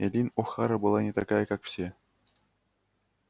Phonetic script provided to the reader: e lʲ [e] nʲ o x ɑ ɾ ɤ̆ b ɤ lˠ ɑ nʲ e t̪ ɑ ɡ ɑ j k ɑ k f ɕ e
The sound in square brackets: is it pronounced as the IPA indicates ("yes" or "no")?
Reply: no